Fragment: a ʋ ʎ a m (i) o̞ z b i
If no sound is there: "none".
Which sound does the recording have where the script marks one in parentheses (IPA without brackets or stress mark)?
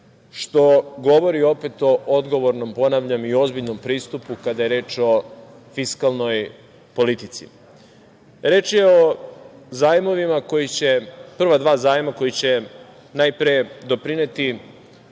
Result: i